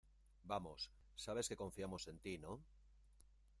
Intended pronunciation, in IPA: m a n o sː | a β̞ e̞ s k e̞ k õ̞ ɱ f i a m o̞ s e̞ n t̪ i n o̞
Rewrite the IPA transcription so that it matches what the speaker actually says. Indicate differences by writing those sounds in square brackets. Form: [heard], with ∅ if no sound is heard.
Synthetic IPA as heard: [b] a [m] o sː | a β̞ e̞ s k e̞ k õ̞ ɱ f i a m o̞ s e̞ n t̪ i n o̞